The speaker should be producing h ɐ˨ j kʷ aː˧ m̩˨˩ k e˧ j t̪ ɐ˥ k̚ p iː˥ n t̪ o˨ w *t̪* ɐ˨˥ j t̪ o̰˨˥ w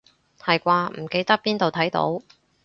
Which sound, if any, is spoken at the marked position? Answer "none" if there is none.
t̪ʰ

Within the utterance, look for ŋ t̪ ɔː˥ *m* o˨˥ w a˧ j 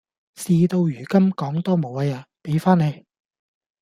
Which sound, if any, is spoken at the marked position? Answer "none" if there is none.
m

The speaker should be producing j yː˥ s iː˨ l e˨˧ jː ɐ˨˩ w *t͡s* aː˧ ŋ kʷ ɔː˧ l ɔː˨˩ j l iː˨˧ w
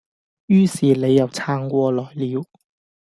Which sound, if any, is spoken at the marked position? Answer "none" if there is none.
t͡sʰ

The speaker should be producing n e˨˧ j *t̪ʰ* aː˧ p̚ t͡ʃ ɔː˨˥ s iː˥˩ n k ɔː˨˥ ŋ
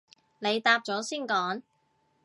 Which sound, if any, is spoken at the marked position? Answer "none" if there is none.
t̪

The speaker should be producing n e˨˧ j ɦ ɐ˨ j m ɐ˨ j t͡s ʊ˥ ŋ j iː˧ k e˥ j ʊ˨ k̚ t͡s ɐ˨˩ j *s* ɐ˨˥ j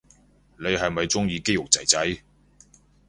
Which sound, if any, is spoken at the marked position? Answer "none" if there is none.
t͡s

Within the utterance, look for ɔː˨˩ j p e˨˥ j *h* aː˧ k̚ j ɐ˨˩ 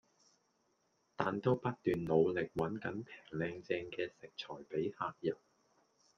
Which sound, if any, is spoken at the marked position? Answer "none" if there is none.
h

